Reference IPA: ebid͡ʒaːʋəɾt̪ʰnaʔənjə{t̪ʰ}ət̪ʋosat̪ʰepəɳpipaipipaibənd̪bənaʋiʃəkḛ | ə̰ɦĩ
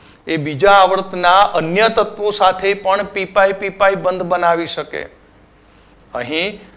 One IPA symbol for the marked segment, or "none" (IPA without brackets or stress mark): t̪